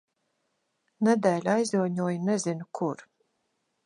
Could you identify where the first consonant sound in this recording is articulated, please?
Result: alveolar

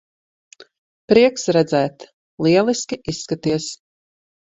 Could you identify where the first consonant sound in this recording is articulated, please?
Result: labial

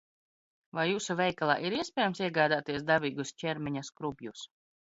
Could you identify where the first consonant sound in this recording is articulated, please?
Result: labial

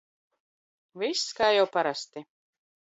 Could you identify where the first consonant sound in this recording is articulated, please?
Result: labial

